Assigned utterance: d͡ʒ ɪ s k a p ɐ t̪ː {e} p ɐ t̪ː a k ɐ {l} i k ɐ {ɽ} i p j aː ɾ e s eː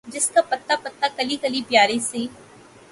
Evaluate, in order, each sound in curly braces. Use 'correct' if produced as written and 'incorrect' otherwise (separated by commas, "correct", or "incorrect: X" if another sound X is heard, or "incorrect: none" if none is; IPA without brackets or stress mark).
incorrect: a, correct, incorrect: l